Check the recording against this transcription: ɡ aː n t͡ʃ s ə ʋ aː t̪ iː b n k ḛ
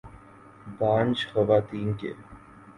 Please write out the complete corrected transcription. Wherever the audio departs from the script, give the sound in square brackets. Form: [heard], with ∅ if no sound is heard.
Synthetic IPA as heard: [b] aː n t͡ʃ [x] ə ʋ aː t̪ iː [∅] n k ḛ

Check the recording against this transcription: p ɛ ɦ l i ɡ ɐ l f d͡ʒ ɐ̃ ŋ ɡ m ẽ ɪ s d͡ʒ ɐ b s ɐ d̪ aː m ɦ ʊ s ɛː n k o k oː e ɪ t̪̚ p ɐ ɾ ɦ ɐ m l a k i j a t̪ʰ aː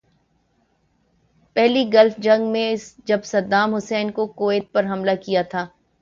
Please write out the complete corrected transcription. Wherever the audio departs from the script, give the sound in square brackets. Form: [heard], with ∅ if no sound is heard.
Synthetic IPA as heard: p ɛ ɦ l i ɡ ɐ l f d͡ʒ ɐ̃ ŋ ɡ m ẽ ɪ s d͡ʒ ɐ b s ɐ d̪ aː m ɦ ʊ s ɛː n k o k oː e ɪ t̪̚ p ɐ ɾ ɦ ɐ m l a k i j a t̪ʰ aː

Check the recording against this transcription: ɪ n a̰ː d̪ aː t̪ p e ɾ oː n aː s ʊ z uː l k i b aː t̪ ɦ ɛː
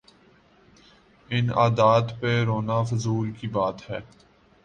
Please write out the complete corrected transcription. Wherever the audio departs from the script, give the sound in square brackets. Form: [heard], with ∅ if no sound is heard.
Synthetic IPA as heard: ɪ n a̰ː d̪ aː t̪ p e ɾ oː n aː [f] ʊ z uː l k i b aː t̪ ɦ ɛː

